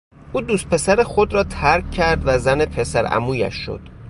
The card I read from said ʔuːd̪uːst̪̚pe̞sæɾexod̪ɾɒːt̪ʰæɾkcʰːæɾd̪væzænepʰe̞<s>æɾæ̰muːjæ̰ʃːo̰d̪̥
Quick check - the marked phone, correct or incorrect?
correct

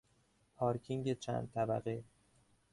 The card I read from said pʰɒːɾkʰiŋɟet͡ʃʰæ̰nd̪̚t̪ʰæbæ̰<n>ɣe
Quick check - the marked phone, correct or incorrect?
incorrect: none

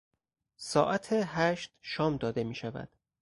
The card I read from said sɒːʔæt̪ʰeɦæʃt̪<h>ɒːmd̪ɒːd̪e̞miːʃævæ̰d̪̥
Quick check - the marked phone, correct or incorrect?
incorrect: ʃ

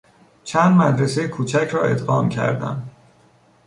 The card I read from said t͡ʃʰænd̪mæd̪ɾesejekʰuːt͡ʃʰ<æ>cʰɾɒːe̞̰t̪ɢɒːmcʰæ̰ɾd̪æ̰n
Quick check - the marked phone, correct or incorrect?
correct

